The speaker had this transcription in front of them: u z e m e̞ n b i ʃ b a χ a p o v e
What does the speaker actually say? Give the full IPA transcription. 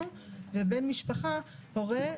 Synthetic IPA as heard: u v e b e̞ n m i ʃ p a χ a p o ʁ e